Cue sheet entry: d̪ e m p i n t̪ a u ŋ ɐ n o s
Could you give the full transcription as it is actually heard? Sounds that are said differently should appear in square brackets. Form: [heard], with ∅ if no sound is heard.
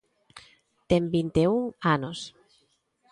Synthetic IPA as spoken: [t̪] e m [b] i n t̪ [e] u ŋ [a] n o s